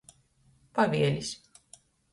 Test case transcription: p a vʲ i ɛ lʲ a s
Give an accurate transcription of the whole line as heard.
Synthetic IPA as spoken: p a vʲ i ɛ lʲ i s